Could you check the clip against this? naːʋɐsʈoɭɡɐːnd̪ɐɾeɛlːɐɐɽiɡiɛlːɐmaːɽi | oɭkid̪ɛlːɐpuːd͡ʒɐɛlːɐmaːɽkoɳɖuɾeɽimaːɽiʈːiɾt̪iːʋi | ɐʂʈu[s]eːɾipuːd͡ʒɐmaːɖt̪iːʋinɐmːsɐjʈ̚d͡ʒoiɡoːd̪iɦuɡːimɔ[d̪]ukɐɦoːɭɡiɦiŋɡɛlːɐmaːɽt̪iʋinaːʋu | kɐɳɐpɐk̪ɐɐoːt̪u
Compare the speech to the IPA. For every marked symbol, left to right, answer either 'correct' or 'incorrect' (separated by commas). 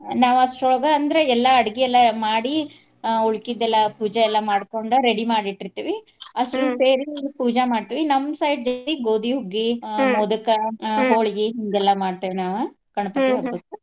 correct, correct